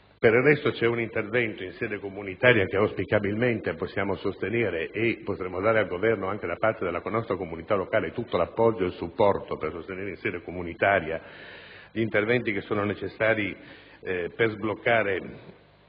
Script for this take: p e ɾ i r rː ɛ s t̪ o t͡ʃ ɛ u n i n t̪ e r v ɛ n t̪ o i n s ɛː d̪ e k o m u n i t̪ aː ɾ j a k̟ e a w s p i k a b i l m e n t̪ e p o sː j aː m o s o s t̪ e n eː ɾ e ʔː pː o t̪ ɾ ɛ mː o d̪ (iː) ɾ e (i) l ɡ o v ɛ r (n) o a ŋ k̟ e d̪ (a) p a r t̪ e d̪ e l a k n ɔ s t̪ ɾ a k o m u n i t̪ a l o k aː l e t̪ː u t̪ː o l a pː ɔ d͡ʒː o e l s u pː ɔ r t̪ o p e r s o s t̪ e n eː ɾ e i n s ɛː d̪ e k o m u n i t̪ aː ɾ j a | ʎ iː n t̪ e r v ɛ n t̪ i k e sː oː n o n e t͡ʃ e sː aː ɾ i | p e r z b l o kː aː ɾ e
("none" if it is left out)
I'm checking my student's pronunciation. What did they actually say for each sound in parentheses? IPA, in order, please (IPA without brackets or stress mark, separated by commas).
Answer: aː, a, n, a